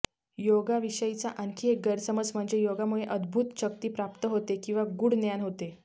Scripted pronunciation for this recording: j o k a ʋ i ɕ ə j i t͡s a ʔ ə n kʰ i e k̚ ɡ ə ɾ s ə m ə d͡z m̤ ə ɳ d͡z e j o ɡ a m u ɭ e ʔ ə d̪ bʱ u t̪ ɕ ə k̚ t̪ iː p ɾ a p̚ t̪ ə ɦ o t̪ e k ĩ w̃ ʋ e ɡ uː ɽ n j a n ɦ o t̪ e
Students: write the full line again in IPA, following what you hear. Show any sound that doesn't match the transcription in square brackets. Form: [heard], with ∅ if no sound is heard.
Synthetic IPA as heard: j o [ɡ] a ʋ i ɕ ə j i t͡s a ʔ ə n kʰ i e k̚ ɡ ə ɾ s ə m ə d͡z m̤ ə ɳ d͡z e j o ɡ a m u ɭ e ʔ ə d̪ bʱ u t̪ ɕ ə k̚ t̪ iː p ɾ a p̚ t̪ ə ɦ o t̪ e k ĩ w̃ ʋ [a] ɡ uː ɽ n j a n ɦ o t̪ e